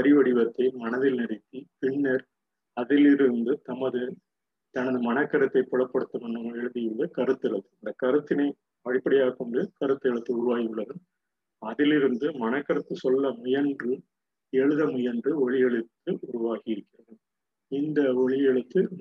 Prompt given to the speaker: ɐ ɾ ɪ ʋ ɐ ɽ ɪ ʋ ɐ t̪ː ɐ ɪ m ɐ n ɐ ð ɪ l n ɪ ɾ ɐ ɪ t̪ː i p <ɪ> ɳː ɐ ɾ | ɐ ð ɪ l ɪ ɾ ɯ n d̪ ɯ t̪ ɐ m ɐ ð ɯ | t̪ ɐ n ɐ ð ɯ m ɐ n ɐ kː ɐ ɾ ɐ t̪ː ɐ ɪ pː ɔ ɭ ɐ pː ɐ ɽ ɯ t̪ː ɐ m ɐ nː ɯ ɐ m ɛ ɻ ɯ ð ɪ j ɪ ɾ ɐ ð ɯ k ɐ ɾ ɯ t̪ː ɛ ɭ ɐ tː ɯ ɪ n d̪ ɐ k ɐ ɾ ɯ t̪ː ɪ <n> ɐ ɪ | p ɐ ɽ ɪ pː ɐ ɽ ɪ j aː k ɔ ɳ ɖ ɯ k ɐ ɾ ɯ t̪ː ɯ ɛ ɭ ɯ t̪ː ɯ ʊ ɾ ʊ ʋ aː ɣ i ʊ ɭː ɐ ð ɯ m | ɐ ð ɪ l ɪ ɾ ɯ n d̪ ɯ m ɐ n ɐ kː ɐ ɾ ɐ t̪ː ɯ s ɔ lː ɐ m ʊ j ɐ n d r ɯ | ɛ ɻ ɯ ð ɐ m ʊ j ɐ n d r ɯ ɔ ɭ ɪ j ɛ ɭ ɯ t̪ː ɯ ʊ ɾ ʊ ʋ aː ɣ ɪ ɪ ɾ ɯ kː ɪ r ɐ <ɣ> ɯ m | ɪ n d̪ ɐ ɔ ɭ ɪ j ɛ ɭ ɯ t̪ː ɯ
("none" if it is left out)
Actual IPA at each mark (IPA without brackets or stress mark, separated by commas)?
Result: ɪ, n, ð